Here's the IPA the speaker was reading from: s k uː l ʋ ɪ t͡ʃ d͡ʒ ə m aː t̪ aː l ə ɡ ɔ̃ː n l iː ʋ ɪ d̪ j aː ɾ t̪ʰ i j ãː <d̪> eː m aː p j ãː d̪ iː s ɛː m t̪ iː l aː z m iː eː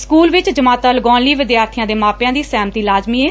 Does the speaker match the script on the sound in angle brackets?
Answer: yes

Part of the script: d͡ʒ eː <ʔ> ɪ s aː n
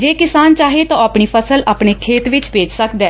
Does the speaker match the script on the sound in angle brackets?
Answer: no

